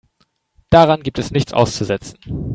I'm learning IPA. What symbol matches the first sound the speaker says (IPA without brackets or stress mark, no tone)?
d̥